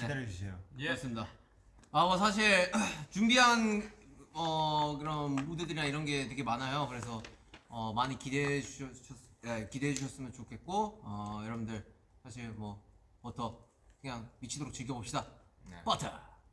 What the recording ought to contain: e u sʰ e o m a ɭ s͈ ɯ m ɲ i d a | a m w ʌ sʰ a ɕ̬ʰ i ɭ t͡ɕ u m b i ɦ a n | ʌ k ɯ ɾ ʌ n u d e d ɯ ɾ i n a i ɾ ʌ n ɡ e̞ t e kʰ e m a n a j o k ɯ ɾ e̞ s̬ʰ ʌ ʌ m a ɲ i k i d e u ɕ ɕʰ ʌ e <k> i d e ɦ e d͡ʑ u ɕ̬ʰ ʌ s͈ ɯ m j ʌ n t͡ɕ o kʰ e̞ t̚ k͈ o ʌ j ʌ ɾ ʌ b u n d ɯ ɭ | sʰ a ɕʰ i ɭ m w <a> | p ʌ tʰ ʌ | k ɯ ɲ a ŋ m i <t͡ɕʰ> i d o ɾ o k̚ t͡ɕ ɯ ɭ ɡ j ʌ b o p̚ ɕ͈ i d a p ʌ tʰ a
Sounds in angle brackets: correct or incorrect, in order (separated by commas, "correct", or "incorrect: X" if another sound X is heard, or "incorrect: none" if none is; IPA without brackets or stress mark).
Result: correct, incorrect: ʌ, correct